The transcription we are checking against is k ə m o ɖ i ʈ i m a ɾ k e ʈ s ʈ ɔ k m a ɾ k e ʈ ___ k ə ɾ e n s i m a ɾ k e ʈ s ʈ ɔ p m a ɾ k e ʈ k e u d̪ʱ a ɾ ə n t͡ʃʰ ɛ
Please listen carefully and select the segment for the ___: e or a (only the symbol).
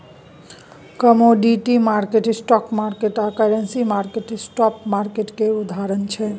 a